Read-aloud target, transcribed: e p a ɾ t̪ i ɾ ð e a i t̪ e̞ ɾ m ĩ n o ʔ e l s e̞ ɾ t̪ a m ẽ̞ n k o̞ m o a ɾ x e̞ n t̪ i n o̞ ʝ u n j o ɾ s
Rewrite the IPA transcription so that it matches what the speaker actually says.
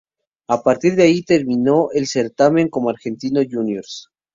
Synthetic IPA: a p a ɾ t̪ i ɾ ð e a i t̪ e̞ ɾ m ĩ n o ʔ e l s e̞ ɾ t̪ a m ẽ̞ ŋ k o̞ m o a ɾ x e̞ n t̪ i n o̞ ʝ u n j o ɾ s